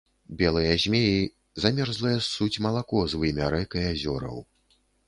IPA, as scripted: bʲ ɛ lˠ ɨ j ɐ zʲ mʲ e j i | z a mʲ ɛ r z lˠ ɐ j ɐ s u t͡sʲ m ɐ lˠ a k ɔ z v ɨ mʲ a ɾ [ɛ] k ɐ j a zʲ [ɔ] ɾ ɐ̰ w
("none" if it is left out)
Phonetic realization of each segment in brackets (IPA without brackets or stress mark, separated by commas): ɛ, ɔ